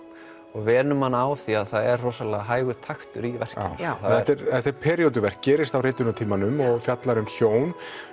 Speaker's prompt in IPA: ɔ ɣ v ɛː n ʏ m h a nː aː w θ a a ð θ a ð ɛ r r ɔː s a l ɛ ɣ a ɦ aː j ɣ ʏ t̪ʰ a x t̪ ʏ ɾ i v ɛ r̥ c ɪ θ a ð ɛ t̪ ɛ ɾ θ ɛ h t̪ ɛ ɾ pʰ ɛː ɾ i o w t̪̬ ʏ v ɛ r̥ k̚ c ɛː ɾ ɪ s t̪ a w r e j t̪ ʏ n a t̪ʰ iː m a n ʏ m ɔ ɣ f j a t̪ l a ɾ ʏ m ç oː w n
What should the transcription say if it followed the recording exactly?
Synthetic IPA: ɔ ɣ v ɛː n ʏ m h a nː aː w θ i a ð θ a ð ɛ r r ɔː s a l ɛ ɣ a ɦ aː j ɣ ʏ t̪ʰ a x t̪ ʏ ɾ i v ɛ r̥ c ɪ θ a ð ɛ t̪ ɛ ɾ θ ɛ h t̪ ɛ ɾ pʰ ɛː ɾ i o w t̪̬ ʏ v ɛ r̥ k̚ c ɛː ɾ ɪ s t̪ a w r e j t̪ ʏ n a t̪ʰ iː m a n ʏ m ɔ ɣ f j a t̪ l a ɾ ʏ m ç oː w n